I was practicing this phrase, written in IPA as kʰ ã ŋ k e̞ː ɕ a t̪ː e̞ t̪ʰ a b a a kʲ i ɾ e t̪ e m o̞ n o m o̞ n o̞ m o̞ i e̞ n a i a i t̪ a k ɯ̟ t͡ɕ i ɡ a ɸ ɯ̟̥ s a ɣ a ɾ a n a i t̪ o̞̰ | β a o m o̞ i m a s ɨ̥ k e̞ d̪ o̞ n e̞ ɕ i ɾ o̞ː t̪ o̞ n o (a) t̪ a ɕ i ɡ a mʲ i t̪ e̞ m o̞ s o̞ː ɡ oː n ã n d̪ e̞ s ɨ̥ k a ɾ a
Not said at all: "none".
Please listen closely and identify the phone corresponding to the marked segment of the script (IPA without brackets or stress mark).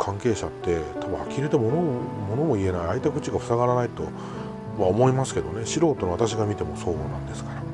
a